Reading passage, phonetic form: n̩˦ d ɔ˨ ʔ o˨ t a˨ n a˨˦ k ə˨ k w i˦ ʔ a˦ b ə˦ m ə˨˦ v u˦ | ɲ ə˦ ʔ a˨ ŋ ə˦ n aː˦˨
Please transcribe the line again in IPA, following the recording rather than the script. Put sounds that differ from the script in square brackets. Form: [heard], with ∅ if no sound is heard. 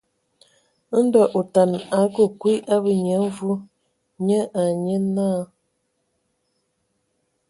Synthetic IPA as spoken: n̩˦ d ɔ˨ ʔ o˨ t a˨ n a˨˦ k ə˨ k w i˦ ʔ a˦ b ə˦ [ɲ] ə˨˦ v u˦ | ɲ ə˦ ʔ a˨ [ɲ] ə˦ n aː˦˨